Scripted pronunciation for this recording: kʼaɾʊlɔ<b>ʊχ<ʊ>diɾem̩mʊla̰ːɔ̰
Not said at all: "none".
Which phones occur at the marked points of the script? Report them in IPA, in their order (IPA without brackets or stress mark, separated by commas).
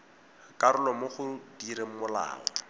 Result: m, ʊ